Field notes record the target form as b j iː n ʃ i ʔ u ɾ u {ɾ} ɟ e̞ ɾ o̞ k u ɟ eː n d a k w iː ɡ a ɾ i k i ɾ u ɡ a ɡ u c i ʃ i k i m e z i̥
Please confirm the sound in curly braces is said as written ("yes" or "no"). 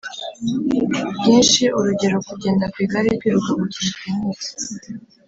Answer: no